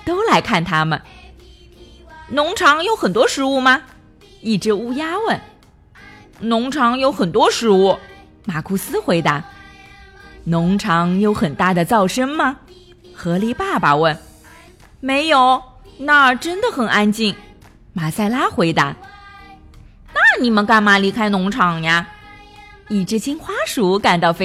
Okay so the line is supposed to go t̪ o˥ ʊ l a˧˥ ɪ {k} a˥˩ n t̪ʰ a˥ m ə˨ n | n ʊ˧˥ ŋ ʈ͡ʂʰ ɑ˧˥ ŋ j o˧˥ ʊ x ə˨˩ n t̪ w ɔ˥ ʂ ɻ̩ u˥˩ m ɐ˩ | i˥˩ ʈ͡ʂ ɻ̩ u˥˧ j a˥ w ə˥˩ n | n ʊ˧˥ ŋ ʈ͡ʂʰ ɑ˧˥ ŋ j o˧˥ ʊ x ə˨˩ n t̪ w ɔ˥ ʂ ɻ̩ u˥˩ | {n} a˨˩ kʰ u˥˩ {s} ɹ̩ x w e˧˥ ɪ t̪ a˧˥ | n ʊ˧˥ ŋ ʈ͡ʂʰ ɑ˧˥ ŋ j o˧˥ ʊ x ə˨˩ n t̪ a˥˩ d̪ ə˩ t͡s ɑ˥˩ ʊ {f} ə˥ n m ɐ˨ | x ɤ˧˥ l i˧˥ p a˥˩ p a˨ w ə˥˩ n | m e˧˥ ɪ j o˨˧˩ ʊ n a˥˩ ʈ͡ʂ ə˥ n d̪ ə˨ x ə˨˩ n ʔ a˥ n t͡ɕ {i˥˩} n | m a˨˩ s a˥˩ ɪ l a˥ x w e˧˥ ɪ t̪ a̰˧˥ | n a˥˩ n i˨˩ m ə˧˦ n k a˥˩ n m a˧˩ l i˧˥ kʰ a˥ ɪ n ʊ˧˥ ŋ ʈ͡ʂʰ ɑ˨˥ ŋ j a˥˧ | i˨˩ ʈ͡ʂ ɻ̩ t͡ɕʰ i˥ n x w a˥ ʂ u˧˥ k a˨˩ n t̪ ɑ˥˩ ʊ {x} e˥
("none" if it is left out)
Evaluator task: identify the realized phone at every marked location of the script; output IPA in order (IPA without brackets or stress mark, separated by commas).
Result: kʰ, m, s, ʂ, i˥˩, f